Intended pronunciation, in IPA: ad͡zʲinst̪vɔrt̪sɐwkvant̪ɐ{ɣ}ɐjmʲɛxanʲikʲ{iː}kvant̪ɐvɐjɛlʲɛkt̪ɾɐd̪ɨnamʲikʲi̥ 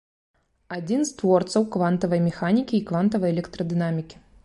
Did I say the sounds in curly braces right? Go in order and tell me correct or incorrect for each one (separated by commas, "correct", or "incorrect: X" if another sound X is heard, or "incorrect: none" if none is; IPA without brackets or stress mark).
incorrect: v, correct